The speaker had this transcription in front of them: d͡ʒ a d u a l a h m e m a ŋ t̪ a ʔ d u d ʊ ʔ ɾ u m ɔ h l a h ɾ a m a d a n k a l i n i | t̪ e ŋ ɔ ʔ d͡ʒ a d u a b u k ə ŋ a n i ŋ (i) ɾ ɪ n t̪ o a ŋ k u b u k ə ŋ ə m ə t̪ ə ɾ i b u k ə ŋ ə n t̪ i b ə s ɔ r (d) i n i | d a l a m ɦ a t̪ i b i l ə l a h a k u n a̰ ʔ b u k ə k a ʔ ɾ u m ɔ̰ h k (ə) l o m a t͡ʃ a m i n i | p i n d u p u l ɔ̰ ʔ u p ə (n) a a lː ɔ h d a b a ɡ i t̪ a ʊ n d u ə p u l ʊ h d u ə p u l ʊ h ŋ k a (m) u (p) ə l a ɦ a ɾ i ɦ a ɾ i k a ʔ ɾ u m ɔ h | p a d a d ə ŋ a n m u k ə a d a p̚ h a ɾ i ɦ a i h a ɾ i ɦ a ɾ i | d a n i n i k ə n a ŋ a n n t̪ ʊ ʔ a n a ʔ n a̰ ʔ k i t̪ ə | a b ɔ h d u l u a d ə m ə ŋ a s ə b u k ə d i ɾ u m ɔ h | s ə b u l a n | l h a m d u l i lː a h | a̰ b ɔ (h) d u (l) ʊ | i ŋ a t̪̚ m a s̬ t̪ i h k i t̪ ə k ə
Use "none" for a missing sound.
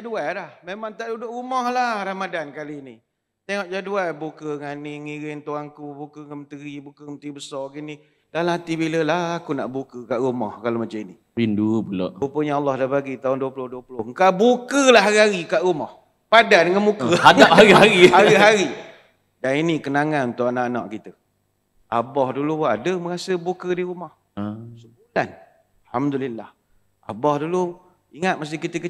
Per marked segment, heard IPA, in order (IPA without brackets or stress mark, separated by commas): i, ɡ, a, ɲ, b, k, h, l